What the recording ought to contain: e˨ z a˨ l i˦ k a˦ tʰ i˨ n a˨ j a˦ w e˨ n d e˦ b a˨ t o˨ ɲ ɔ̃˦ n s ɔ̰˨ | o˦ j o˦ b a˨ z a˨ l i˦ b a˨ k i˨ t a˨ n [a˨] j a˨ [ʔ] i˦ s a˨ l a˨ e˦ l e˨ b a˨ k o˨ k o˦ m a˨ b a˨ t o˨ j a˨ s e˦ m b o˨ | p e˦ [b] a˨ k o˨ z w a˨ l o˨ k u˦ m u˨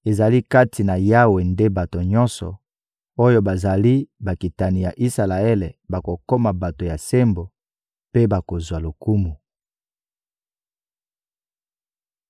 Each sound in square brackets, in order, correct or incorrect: incorrect, correct, correct

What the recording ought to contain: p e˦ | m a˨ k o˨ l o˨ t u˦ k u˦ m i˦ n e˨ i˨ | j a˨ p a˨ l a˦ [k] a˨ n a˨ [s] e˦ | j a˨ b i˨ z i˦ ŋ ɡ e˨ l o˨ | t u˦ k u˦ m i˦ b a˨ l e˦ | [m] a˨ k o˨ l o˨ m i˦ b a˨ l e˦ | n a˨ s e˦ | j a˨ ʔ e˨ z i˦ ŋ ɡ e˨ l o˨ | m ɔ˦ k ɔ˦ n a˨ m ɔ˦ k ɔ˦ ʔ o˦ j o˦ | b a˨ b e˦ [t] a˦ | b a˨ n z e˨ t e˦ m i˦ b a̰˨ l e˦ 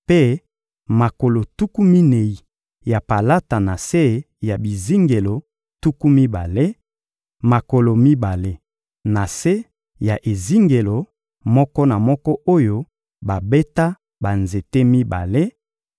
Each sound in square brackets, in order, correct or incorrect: incorrect, correct, correct, correct

